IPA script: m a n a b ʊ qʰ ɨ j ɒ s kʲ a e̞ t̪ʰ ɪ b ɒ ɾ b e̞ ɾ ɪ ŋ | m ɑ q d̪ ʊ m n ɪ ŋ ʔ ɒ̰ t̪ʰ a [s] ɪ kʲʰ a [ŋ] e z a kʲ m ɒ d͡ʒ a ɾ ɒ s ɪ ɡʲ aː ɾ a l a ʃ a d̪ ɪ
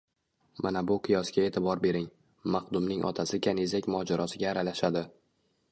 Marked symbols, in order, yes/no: yes, no

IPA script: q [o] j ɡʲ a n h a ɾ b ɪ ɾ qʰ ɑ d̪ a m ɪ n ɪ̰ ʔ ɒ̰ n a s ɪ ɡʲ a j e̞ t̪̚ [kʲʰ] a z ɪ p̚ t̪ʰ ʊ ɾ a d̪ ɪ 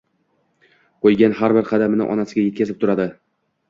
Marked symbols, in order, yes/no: yes, no

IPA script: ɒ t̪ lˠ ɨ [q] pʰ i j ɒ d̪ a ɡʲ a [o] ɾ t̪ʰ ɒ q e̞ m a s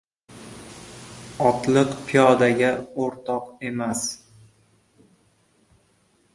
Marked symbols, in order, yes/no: yes, yes

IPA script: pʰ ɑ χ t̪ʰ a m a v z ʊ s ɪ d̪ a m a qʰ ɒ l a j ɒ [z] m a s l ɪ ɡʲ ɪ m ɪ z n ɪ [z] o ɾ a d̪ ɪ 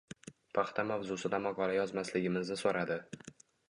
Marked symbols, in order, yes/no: yes, no

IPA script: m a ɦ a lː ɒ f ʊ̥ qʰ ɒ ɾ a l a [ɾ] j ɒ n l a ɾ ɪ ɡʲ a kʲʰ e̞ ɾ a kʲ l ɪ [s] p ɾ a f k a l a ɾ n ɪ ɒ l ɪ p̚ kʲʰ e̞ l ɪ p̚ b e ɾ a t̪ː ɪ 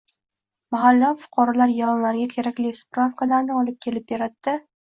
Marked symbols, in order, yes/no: yes, yes

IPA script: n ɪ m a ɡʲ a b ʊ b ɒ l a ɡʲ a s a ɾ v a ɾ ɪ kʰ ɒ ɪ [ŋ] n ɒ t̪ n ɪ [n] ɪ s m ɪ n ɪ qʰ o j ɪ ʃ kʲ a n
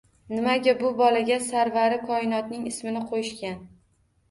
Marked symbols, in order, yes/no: no, no

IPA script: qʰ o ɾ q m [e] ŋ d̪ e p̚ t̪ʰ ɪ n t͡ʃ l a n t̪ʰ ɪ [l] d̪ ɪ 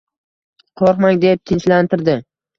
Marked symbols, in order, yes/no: no, no

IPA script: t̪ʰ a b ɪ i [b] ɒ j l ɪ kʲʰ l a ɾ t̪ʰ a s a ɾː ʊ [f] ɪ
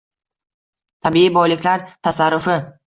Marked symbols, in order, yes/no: yes, yes

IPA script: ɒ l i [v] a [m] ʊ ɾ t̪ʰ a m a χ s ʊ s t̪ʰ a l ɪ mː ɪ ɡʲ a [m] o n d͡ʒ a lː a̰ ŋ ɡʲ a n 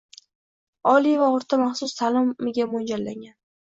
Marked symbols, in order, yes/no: yes, no, yes

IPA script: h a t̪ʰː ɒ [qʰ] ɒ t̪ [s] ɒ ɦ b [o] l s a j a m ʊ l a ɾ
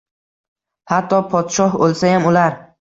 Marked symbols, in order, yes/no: no, no, yes

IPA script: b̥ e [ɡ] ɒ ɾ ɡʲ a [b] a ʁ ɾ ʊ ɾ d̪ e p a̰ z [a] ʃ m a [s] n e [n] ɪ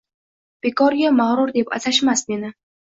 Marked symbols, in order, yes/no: no, no, yes, yes, yes

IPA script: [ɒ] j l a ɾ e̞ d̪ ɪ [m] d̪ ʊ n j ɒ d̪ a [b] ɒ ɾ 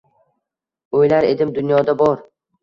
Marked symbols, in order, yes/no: no, yes, yes

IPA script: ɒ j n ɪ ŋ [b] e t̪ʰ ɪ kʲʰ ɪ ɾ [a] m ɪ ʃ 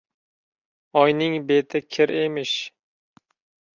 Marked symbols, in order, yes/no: yes, no

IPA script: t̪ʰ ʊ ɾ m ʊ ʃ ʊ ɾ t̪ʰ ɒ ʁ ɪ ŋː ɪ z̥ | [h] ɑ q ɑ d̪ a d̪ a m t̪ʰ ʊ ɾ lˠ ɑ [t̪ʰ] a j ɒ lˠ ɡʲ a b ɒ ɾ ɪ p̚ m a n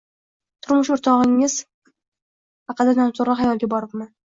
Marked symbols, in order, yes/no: yes, no

